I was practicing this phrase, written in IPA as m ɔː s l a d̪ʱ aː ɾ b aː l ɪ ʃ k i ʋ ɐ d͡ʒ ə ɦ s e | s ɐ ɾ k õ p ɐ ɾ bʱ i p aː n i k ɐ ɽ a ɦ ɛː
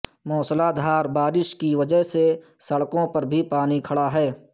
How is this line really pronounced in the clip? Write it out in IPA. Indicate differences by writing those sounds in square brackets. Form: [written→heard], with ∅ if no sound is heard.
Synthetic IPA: m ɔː s l a d̪ʱ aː ɾ b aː [l→ɾ] ɪ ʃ k i ʋ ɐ d͡ʒ ə ɦ s e | s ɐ [ɾ→ɽ] k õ p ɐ ɾ bʱ i p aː n i [k→kʰ] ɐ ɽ a ɦ ɛː